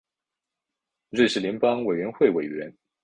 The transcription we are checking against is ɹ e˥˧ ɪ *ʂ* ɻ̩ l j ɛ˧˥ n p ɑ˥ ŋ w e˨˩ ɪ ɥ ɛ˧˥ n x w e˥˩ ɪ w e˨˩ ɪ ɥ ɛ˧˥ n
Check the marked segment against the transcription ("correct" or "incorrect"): correct